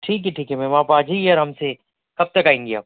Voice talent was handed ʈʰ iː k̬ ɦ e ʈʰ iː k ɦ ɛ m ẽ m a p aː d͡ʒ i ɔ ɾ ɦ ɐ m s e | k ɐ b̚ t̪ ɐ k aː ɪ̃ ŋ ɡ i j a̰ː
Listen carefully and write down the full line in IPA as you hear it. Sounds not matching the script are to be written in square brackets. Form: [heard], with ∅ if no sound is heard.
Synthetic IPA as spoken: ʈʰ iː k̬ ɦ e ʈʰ iː k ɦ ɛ m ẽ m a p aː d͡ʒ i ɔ ɾ ɦ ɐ m s e | k ɐ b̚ t̪ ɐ k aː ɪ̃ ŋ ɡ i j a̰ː